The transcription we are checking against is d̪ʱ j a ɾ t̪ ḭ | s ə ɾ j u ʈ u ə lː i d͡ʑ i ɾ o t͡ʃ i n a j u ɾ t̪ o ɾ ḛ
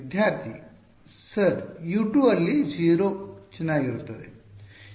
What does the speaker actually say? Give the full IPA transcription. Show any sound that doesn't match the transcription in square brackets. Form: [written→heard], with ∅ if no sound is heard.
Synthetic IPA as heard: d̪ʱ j a ɾ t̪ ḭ | s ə ɾ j u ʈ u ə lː i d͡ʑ i ɾ o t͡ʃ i n a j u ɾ t̪ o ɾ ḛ